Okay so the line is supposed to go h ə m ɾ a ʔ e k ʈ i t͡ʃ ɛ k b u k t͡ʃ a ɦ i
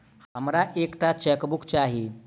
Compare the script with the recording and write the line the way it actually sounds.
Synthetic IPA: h ə m ɾ a ʔ e k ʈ a t͡ʃ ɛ k b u k t͡ʃ a ɦ i

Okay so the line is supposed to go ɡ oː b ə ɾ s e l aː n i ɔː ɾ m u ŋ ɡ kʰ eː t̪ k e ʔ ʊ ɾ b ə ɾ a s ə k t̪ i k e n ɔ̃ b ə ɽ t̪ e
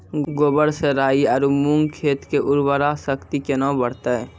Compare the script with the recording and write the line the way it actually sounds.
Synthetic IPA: ɡ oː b ə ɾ s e ɾ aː i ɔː ɾ m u ŋ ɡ kʰ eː t̪ k e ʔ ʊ ɾ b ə ɾ a s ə k t̪ i k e n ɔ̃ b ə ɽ t̪ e

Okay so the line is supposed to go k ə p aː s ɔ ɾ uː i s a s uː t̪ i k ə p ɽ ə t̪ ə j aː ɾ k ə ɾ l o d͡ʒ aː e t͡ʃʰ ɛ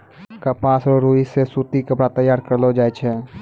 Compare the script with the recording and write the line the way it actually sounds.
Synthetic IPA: k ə p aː s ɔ ɾ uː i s e s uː t̪ i k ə p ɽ a t̪ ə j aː ɾ k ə ɾ l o d͡ʒ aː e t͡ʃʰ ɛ

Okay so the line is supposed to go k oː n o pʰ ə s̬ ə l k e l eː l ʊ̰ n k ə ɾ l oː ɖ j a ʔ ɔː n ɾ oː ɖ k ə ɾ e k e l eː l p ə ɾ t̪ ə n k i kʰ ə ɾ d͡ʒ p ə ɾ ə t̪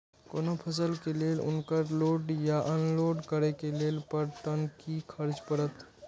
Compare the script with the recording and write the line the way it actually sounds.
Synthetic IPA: k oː n o pʰ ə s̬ ə l k e l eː l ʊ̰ n k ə ɾ l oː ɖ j a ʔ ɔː n l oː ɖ k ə ɾ e k e l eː l p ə ɾ t̪ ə n k i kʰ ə ɾ d͡ʒ p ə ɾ ə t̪

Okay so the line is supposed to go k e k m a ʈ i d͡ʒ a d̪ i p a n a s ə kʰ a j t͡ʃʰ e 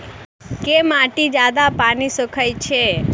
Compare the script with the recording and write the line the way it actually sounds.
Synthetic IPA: k e m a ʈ i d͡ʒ a d̪ a p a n i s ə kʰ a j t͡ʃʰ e

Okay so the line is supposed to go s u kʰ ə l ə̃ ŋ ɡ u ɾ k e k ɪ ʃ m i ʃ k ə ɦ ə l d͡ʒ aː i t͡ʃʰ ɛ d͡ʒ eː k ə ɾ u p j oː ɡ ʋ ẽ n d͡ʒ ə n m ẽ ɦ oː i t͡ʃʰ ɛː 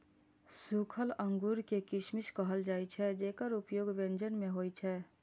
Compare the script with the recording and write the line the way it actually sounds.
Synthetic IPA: s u kʰ ə l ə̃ ŋ ɡ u ɾ k e k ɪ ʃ m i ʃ k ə ɦ ə l d͡ʒ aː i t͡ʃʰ ɛ d͡ʒ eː k ə ɾ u p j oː ɡ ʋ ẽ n d͡ʒ ə n m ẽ ɦ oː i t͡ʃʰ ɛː

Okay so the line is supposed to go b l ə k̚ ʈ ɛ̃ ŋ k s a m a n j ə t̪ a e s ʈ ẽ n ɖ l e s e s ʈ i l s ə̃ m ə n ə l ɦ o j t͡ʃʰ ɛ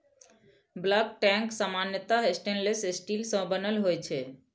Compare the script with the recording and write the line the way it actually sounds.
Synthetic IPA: b l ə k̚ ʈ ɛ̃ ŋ k s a m a n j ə t̪ a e s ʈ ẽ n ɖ l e s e s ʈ i l s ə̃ b ə n ə l ɦ o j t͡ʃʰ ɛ

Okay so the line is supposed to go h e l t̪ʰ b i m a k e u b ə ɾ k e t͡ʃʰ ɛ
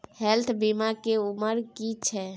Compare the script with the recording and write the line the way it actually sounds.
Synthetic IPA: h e l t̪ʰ b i m a k e u m ə ɾ k i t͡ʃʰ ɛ

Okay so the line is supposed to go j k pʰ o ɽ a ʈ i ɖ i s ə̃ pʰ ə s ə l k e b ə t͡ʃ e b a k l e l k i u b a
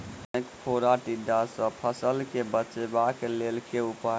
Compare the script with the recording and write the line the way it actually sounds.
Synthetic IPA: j k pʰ o ɾ a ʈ i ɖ a s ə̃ pʰ ə s ə l k e b ə t͡ʃ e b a k l e l k e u p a

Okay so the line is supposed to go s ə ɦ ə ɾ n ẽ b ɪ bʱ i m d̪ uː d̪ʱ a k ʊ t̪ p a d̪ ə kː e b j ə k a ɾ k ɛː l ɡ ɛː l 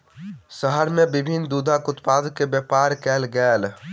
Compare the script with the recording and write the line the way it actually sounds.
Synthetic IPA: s ə ɦ ə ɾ m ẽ b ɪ bʱ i n d̪ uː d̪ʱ a k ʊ t̪ p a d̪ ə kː e b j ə p a ɾ k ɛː l ɡ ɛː l

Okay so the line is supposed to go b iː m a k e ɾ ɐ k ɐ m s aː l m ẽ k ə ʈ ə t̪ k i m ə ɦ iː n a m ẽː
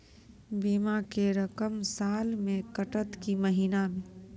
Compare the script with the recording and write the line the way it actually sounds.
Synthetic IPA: b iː m a k e ɾ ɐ k ə m s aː l m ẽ k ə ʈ ə t̪ k i m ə ɦ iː n a m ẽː

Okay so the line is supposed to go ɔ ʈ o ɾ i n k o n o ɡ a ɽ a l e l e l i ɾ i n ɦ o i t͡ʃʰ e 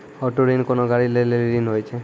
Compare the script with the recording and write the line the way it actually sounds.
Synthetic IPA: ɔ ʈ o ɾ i n k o n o ɡ a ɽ i l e l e l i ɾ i n ɦ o j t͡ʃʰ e

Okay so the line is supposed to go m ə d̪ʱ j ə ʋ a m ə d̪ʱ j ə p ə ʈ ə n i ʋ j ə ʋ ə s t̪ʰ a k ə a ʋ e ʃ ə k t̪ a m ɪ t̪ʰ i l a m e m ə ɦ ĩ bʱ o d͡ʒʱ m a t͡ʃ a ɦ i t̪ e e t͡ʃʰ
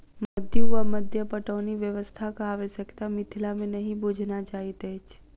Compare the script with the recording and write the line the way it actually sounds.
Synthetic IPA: m ə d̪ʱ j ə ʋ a m ə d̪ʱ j ə p ə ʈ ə n i ʋ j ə ʋ ə s t̪ʰ a k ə a ʋ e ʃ ə k t̪ a m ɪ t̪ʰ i l a m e n ə ɦ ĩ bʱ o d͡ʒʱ n a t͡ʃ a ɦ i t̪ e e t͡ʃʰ

